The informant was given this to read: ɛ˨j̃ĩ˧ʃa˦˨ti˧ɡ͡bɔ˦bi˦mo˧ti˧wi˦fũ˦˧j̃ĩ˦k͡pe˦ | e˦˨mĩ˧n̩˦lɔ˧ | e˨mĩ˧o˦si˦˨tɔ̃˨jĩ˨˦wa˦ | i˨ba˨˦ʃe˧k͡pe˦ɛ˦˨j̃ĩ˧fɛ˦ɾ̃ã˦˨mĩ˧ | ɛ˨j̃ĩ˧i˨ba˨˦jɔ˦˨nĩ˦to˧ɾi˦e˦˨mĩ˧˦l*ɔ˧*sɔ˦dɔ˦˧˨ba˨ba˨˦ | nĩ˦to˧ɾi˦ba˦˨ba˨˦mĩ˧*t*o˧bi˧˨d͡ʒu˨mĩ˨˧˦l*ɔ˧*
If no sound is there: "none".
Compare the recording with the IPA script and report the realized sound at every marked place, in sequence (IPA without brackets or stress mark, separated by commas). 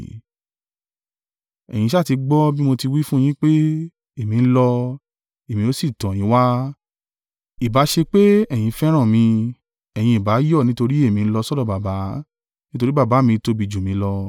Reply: ɔ˧, t, ɔ˧